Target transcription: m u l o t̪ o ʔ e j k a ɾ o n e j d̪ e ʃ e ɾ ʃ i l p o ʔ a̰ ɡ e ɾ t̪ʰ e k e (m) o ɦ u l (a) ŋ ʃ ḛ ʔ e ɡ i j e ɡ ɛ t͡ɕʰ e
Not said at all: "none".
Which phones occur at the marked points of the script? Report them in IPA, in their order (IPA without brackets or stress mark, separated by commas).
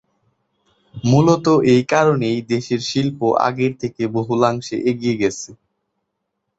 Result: b, a